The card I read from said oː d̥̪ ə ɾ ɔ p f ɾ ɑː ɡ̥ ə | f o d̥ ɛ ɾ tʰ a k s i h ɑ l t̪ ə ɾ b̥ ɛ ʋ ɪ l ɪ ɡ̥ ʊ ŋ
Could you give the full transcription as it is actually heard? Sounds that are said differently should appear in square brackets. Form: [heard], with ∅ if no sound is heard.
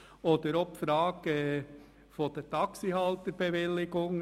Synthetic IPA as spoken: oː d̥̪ ə ɾ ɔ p f ɾ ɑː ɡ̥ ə | f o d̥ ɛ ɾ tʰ [ɑ] k s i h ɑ l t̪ ə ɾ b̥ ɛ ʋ ɪ l ɪ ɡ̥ ʊ ŋ